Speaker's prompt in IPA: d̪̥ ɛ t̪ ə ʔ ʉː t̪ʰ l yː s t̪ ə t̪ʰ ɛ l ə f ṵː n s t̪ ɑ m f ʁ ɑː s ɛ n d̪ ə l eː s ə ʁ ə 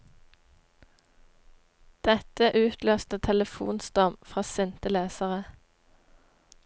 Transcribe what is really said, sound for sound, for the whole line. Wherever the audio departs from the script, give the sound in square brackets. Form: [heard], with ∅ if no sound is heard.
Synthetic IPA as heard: d̪̥ ɛ t̪ ə ʔ ʉː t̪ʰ l [øː] s t̪ ə t̪ʰ ɛ l ə f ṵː n s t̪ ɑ m f ʁ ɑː s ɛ n [t̪] ə l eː s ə ʁ ə